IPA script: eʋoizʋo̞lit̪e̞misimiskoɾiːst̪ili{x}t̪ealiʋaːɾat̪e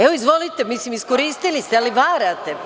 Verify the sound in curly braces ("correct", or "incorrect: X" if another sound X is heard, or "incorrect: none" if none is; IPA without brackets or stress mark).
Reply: incorrect: s